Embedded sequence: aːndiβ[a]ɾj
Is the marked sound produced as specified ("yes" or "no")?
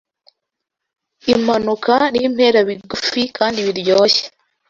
no